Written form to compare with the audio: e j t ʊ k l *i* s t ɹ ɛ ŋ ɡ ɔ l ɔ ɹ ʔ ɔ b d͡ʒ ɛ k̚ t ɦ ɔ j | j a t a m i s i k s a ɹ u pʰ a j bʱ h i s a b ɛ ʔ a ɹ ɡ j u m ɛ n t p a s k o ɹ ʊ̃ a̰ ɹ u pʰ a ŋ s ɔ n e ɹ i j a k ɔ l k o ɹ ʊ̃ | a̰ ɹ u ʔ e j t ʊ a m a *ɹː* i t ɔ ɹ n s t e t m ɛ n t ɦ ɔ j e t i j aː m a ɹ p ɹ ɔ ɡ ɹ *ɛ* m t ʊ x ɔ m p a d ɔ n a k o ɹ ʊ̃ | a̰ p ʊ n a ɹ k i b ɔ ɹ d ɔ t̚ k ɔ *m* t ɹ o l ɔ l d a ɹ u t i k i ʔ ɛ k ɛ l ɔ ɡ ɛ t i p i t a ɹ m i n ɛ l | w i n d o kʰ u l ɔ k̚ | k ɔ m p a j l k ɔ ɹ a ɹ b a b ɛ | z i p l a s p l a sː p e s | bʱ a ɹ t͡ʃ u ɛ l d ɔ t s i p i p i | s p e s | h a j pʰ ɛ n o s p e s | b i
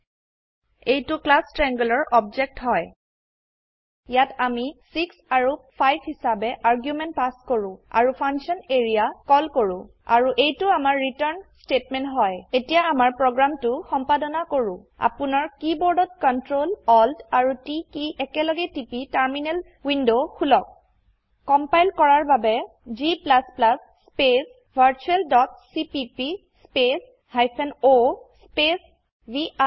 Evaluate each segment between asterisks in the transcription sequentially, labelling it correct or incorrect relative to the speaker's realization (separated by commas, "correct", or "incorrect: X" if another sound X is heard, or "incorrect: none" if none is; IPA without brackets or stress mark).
incorrect: a, correct, incorrect: a, incorrect: n